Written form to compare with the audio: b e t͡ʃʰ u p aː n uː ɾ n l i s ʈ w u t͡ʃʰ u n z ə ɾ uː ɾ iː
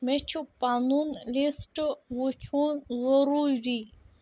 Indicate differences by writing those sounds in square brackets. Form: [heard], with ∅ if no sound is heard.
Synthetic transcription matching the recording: [m] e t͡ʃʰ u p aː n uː [∅] n l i s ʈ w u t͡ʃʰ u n z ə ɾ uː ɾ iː